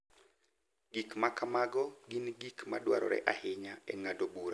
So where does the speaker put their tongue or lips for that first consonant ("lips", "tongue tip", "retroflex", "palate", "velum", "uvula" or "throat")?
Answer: velum